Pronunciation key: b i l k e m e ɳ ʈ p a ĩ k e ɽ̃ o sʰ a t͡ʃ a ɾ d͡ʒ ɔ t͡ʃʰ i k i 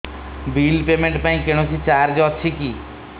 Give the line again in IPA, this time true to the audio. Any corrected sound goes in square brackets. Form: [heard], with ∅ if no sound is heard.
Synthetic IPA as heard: b i l [p] e m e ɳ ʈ p a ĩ k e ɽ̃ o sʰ [i] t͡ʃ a ɾ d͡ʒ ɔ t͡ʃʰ i k i